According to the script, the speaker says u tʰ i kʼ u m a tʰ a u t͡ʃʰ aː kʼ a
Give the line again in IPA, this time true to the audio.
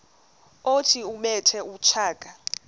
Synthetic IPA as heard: o tʰ i u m ɛ tʰ ɛ u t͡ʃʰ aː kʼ a